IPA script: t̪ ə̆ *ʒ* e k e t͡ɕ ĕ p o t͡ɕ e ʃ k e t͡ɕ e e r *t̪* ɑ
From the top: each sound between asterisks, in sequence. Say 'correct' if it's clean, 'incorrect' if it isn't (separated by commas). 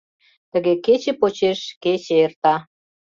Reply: incorrect, correct